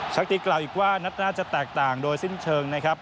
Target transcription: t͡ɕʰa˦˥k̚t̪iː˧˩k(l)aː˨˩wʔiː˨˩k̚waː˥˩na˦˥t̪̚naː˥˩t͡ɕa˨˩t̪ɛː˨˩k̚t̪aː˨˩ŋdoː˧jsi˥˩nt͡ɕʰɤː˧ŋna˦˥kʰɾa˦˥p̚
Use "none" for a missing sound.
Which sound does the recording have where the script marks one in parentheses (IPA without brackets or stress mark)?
l